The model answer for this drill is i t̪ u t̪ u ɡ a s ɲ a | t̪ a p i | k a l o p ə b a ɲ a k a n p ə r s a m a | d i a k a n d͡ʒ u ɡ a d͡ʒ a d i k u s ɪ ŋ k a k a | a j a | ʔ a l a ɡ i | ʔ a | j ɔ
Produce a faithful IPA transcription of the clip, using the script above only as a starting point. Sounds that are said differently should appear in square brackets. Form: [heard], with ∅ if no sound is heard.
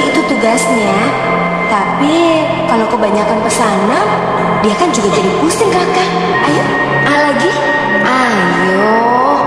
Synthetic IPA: i t̪ u t̪ u ɡ a s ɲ a | t̪ a p i | k a l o [k] ə b a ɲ a k a n p ə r s a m a | d i a k a n d͡ʒ u ɡ a d͡ʒ a d i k u s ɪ ŋ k a k a | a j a | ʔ a l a ɡ i | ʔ a | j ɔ